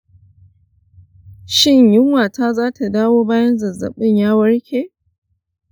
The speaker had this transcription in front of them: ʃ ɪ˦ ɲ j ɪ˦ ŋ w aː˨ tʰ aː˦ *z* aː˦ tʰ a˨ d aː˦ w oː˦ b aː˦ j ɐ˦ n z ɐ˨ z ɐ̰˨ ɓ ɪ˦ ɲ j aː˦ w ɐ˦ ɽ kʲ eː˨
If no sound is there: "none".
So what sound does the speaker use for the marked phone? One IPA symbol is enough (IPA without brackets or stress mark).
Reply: z